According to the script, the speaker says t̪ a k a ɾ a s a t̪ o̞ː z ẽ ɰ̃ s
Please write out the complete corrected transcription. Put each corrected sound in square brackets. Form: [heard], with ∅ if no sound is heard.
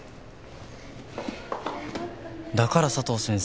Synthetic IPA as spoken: [d̪] a k a ɾ a s a t̪ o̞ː [s] ẽ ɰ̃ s